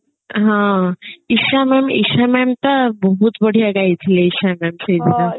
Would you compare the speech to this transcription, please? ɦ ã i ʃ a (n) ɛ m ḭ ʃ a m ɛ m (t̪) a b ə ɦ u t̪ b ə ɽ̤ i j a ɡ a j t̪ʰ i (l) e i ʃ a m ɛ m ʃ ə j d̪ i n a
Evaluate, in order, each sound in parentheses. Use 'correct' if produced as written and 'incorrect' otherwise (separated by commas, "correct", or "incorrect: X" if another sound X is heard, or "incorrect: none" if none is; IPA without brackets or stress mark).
incorrect: m, correct, correct